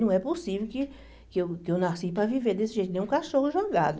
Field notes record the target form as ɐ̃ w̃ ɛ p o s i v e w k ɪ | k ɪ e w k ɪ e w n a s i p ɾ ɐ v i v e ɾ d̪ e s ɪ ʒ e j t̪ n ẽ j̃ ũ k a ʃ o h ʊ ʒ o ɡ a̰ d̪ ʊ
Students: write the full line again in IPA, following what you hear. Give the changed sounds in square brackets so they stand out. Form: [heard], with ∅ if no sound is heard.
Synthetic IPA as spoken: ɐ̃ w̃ ɛ p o s i v e w k ɪ | k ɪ e w k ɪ e w n a s i p ɾ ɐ v i v e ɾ d̪ e s ɪ ʒ e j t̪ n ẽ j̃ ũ k a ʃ o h ʊ ʒ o ɡ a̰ d̪ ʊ